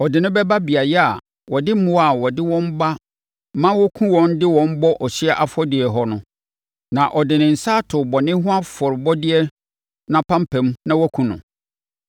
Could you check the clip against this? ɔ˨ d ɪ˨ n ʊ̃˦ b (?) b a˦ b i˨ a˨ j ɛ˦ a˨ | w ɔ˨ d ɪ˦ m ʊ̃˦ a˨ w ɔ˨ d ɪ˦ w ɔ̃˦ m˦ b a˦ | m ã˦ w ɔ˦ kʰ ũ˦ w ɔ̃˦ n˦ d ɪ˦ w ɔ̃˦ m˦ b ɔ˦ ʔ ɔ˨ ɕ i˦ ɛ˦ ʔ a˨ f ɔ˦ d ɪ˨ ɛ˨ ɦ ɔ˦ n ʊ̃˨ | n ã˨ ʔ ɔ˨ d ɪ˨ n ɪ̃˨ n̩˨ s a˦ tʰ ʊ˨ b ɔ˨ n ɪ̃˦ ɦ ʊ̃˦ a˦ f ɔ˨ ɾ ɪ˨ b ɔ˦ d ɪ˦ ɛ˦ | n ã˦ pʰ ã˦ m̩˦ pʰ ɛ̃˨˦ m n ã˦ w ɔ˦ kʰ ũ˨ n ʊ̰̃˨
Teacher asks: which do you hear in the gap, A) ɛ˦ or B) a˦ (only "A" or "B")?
A